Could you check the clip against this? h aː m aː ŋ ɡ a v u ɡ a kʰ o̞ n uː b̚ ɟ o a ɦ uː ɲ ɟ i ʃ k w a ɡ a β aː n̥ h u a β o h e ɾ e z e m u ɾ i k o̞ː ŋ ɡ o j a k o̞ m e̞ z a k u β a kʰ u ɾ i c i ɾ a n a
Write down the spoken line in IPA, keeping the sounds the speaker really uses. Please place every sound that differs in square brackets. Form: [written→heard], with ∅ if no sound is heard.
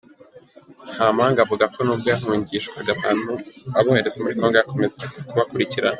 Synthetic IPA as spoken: h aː m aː ŋ ɡ a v u ɡ a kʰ o̞ n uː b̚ [ɟ→ɡ] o a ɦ uː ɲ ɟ i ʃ k w a ɡ a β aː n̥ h u a β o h e ɾ e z e m u ɾ i k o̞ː ŋ ɡ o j a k o̞ m e̞ z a k u β a [kʰ→k] u ɾ i c i ɾ a n a